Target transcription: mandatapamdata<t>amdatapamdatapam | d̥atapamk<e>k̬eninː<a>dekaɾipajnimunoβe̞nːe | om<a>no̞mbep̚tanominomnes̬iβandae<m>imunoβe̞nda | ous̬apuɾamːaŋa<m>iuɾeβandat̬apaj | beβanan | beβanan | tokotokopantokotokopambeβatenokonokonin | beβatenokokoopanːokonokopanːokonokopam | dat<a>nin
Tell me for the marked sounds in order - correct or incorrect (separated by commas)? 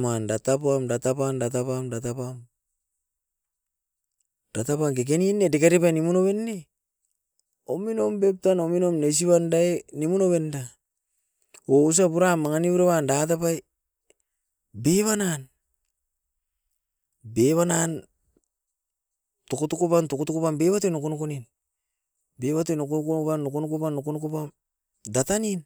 incorrect, correct, incorrect, incorrect, incorrect, incorrect, correct